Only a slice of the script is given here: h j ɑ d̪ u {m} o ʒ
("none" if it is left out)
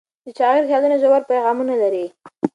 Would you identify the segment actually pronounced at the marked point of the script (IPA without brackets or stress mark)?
n